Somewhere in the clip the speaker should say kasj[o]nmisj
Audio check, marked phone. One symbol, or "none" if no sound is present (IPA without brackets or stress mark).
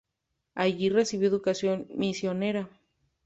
o